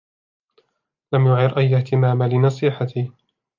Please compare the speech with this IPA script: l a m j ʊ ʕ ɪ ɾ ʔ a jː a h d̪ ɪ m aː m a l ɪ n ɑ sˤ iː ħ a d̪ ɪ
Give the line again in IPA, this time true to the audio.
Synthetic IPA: l a m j ʊ ʕ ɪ ɾ ʔ a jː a h t̪ ɪ m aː m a l ɪ n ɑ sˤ iː ħ a t̪ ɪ